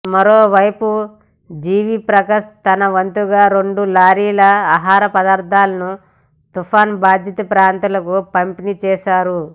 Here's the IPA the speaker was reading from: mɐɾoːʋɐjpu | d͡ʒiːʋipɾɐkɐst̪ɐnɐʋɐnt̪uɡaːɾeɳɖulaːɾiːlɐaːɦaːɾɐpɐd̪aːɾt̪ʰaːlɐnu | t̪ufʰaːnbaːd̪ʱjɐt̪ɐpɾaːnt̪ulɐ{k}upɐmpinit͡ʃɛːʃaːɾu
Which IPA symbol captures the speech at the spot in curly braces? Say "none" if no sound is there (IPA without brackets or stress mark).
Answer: k